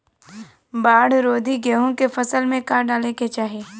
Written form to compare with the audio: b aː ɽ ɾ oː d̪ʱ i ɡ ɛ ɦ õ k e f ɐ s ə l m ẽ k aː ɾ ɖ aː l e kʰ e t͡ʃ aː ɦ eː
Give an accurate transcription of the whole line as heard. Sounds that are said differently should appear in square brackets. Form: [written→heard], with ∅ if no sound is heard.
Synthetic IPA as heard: b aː ɽ ɾ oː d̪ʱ i ɡ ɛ ɦ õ k e f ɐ s ə l m ẽ k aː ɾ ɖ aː l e [kʰ→k] e t͡ʃ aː ɦ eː